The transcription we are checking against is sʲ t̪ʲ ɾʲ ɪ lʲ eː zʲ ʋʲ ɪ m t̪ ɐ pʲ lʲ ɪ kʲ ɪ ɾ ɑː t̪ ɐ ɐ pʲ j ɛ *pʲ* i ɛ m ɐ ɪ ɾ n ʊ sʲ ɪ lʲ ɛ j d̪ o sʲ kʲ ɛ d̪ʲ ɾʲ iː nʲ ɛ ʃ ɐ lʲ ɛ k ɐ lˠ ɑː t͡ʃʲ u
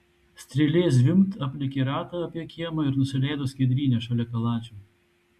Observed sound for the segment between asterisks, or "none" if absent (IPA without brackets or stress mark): kʲ